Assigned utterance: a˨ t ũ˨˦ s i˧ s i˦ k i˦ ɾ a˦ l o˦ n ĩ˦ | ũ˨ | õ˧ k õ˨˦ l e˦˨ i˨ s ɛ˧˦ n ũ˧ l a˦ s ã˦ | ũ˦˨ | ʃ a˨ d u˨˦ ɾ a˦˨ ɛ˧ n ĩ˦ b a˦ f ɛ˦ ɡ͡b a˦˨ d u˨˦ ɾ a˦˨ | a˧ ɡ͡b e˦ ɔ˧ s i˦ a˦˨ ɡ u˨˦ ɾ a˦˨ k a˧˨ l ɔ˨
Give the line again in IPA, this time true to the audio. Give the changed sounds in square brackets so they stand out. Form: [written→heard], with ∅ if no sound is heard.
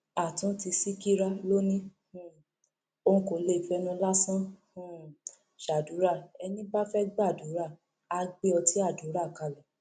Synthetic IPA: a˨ t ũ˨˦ [s→t] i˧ s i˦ k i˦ ɾ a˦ l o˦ n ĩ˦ | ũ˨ | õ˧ k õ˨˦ l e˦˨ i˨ [s→f] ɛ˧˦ n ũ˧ l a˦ s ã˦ | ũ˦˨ | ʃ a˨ d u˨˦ ɾ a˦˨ ɛ˧ n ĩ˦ b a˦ f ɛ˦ ɡ͡b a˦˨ d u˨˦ ɾ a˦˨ | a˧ ɡ͡b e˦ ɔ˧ [s→t] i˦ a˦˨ [ɡ→d] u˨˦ ɾ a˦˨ k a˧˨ l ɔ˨

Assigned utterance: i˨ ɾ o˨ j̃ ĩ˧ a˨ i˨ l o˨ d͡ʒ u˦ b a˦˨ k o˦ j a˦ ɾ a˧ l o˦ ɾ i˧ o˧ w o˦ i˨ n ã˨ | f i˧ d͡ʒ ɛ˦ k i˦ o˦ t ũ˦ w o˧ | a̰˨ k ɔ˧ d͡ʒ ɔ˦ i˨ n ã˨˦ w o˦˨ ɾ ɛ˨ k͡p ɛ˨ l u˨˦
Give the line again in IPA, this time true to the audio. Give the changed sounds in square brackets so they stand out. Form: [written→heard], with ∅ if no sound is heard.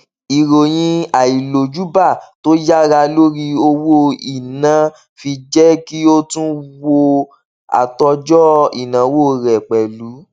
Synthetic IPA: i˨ ɾ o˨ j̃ ĩ˧ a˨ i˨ l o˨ d͡ʒ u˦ b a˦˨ [k→t] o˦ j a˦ ɾ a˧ l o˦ ɾ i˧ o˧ w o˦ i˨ n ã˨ | f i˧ d͡ʒ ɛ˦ k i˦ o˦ t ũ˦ w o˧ | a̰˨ [k→t] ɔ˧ d͡ʒ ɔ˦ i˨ n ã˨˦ w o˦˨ ɾ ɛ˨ k͡p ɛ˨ l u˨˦

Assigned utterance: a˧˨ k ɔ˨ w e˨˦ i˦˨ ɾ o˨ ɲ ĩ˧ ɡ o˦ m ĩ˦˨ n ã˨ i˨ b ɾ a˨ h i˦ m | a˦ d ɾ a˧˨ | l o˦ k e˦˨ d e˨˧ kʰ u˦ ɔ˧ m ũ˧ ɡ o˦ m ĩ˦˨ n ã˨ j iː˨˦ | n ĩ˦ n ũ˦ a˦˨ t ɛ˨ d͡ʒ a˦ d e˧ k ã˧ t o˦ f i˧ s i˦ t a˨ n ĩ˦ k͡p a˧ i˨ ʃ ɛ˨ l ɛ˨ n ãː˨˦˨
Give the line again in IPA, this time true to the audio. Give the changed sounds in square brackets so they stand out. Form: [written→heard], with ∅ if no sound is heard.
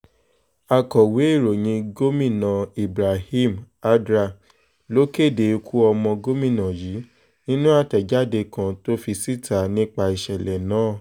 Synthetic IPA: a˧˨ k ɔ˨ w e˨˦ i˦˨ ɾ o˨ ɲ ĩ˧ ɡ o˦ m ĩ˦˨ n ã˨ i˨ b ɾ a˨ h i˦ m | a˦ d ɾ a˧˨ | l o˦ k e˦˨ d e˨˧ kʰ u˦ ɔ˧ m [ũ˧→ɔ̃˧] ɡ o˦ m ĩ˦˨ n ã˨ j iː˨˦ | n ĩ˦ n ũ˦ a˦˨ t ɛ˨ d͡ʒ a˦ d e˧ k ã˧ t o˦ f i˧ s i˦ t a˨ n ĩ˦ k͡p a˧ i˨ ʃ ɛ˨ l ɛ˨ n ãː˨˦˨

